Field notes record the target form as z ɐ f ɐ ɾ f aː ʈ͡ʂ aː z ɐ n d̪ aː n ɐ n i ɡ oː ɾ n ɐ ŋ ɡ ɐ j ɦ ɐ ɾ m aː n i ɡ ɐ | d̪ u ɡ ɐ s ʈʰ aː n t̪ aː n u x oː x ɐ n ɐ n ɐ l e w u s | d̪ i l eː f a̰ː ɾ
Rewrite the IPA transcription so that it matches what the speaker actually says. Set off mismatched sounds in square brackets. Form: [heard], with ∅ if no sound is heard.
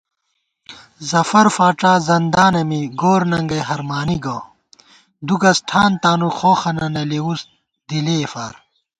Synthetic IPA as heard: z ɐ f ɐ ɾ f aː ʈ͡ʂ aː z ɐ n d̪ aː n ɐ [m] i ɡ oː ɾ n ɐ ŋ ɡ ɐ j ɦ ɐ ɾ m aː n i ɡ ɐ | d̪ u ɡ ɐ s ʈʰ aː n t̪ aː n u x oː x ɐ n ɐ n ɐ l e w u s | d̪ i l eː f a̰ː ɾ